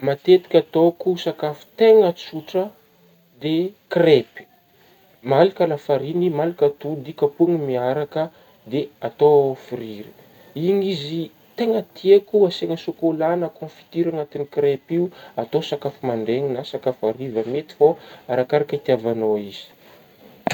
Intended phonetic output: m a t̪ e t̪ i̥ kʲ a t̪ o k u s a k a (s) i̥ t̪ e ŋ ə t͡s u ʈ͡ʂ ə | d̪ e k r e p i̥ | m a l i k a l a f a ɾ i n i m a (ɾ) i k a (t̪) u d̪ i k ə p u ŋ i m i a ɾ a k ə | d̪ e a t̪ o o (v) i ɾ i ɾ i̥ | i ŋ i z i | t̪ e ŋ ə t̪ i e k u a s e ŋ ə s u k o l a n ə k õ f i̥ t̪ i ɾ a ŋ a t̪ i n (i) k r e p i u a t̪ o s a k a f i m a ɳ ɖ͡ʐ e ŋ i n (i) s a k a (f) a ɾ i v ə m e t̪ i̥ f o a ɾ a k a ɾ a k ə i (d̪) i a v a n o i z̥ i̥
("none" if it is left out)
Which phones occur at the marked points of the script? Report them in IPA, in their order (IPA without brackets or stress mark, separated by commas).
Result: f, l, t̪, f, i, a, f, t̪